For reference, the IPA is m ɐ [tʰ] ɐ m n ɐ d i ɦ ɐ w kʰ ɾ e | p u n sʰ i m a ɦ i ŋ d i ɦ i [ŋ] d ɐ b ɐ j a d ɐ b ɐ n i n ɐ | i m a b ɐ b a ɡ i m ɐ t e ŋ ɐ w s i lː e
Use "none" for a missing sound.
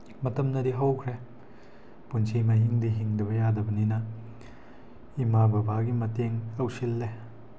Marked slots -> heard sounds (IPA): t, ŋ

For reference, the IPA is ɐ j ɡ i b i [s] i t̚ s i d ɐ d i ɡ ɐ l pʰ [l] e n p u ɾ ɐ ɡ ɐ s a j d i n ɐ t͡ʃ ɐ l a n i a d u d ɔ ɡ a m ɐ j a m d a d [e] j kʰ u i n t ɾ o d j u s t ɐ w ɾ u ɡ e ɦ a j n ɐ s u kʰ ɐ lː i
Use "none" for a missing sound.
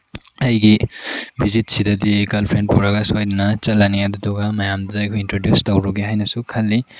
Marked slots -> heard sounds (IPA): z, ɾ, a

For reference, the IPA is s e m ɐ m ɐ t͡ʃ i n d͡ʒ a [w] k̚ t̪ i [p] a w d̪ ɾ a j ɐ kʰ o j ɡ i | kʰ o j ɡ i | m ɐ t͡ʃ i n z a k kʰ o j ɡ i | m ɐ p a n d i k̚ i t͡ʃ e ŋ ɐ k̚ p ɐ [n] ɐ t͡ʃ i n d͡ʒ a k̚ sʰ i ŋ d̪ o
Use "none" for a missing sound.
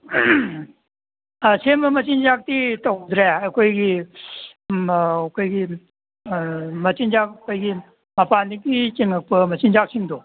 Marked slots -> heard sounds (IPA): none, t, m

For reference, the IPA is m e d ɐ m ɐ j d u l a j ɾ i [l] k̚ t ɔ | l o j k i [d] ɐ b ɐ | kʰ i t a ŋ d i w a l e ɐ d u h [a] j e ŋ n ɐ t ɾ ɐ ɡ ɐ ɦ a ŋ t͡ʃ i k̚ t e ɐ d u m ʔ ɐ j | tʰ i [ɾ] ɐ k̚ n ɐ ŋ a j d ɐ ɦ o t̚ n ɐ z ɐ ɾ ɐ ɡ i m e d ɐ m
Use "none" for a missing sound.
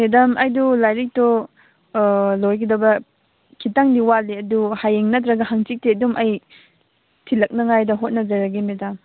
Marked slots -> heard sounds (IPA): none, d, a, l

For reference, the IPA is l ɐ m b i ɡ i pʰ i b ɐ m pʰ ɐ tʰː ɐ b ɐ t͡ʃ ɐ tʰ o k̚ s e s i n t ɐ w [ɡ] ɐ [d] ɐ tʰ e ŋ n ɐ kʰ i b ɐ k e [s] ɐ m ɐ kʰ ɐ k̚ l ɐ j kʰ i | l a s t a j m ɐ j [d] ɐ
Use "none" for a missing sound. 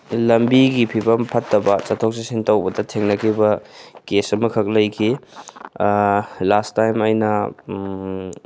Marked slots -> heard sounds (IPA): b, d, s, n

